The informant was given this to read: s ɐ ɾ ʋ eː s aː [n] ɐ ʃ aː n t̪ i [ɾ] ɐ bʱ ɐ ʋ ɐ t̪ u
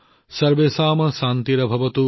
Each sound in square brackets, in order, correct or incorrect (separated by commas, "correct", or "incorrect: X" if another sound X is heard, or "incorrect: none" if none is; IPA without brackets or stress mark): incorrect: m, correct